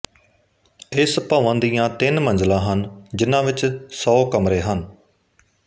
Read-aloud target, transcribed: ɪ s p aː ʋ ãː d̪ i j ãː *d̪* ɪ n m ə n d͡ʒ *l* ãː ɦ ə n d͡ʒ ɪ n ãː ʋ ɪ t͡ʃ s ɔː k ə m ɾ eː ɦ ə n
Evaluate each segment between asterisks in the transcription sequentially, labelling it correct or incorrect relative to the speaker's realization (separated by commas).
incorrect, correct